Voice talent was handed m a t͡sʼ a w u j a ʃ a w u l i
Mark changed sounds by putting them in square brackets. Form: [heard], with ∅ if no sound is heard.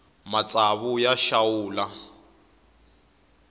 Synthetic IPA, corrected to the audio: m a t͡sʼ a [β] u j a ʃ a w [uː] l [a]